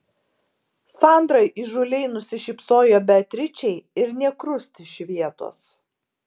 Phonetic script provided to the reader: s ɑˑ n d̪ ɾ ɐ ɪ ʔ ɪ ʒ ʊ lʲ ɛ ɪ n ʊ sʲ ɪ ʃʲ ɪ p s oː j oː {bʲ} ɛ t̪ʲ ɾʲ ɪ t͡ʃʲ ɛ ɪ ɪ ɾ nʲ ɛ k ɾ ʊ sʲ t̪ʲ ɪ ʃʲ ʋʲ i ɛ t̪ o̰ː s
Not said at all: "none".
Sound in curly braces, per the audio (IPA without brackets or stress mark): bʲ